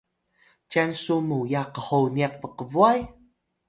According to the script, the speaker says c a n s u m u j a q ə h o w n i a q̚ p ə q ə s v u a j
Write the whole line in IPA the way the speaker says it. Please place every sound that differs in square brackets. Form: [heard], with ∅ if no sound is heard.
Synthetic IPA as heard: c a n s u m u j a q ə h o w n i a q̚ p ə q ə [∅] v u a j